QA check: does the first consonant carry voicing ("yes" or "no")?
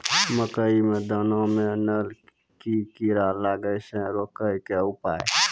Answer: yes